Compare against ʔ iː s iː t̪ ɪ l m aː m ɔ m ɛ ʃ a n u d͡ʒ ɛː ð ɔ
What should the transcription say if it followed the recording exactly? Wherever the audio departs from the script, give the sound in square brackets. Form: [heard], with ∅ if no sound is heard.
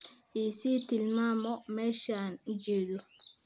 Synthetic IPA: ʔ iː s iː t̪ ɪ l m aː m ɔ m [ɛː] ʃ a n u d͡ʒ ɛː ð ɔ